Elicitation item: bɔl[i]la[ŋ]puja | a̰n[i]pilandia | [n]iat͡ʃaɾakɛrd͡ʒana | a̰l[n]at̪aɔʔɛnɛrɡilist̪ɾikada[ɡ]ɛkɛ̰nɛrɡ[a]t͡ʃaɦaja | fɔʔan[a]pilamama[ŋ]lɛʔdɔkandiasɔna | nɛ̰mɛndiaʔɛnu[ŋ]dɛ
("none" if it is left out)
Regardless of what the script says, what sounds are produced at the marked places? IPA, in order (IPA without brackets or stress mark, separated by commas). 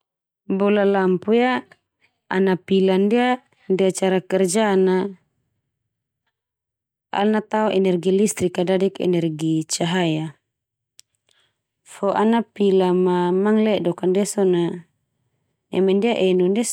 a, m, a, d, n, d, i, a, ŋ, n